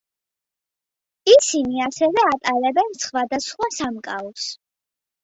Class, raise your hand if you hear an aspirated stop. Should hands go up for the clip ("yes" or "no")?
no